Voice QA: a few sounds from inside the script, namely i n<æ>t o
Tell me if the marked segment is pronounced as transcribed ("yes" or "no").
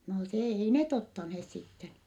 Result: no